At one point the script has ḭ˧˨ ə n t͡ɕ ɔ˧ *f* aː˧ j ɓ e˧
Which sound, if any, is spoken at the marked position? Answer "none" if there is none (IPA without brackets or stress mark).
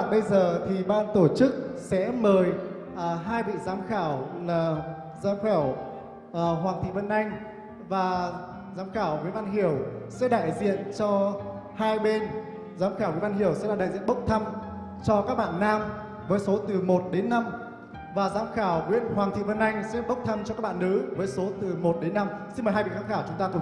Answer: h